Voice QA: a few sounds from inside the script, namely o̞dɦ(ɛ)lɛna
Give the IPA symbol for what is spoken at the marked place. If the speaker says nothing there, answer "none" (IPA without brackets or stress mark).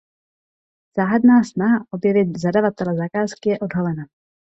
a